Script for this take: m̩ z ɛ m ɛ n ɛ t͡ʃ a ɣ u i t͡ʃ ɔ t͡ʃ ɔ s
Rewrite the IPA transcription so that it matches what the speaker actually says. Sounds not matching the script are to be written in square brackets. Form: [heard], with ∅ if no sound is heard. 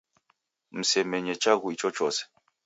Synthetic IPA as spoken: m̩ [s] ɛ m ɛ [ɲ] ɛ t͡ʃ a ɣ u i t͡ʃ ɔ t͡ʃ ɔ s